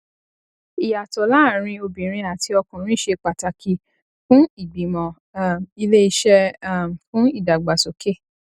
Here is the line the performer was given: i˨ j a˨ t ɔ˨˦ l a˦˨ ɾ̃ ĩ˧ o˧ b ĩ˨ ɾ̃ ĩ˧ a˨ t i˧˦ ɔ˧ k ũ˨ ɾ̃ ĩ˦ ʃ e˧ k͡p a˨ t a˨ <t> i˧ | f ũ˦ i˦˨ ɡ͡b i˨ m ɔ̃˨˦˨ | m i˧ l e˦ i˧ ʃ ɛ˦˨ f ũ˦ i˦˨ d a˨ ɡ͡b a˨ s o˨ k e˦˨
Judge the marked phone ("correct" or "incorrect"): incorrect